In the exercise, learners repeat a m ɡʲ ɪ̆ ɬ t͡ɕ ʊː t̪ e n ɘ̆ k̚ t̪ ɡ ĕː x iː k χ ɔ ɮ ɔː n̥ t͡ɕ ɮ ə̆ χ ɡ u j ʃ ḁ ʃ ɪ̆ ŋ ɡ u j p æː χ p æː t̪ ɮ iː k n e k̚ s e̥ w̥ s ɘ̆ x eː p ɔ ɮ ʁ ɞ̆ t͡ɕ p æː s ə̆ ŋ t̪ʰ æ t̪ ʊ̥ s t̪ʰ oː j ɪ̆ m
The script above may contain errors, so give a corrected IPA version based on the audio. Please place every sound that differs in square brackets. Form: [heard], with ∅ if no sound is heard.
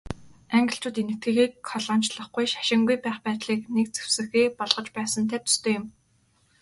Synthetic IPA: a [ŋ] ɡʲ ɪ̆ ɬ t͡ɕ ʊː t̪ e n ɘ̆ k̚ t̪ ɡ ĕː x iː k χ ɔ ɮ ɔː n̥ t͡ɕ ɮ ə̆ χ ɡ u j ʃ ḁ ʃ ɪ̆ ŋ ɡ u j p æː χ p æː t̪ ɮ iː k n e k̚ [t͡s] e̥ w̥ s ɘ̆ x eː p ɔ ɮ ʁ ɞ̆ t͡ɕ p æː s ə̆ [n] t̪ʰ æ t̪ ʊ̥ s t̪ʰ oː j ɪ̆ m